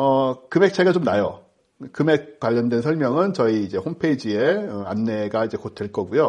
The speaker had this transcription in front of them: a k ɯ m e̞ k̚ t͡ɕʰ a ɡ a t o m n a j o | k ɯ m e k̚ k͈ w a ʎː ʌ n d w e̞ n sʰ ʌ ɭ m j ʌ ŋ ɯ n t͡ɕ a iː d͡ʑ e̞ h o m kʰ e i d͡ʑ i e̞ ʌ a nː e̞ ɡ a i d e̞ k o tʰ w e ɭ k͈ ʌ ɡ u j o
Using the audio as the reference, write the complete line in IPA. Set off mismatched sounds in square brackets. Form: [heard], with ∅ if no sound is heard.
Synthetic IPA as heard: [ʌ] k ɯ m e̞ k̚ t͡ɕʰ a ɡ a [t͡ɕ] o m n a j o | k ɯ m e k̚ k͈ w a ʎː ʌ n d w e̞ n sʰ ʌ ɭ m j ʌ ŋ ɯ n t͡ɕ [ʌ] iː d͡ʑ e̞ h o m [pʰ] e i d͡ʑ i e̞ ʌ a nː e̞ ɡ a i [d͡ʑ] e̞ k o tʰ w e ɭ k͈ ʌ ɡ u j o